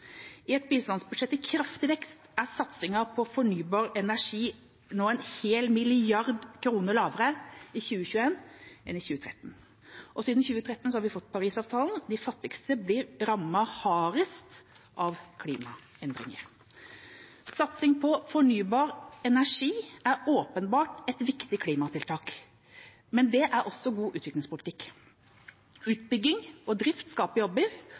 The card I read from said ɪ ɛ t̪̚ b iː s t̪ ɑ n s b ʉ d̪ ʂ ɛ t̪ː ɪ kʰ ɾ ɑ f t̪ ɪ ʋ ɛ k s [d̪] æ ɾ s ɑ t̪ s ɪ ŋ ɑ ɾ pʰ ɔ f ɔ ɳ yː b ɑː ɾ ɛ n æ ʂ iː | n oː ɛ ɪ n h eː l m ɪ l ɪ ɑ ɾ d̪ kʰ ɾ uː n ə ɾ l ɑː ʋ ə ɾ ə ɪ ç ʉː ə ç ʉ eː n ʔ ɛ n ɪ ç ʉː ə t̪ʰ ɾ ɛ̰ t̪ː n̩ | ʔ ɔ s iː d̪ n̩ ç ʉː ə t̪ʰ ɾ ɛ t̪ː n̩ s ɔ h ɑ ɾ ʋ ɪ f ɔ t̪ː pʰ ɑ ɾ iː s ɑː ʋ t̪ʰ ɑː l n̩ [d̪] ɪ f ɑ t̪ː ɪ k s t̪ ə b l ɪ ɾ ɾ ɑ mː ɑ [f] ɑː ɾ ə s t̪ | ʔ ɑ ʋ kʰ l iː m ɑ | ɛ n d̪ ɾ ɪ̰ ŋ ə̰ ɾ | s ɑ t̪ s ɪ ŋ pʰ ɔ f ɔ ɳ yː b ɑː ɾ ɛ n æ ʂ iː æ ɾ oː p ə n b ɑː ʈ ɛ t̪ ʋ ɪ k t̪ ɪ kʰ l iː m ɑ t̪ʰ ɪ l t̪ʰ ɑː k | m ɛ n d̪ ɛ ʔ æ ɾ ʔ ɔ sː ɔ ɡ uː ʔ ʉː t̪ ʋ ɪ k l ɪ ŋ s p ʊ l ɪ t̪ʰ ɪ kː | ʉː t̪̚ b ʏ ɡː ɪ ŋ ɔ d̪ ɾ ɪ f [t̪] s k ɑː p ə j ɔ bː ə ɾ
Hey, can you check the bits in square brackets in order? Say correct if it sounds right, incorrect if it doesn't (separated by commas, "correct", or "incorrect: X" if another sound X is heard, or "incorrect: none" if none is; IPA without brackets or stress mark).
incorrect: t̪, correct, incorrect: h, correct